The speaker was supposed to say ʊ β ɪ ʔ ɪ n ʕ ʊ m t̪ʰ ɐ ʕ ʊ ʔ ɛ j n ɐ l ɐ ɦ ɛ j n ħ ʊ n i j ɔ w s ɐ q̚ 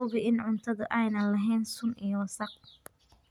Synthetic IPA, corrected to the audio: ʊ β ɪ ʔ ɪ n ʕ ʊ n t̪ʰ ɐ ð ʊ ʔ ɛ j n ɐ l ɐ ɦ ɛ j n s ʊ n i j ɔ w s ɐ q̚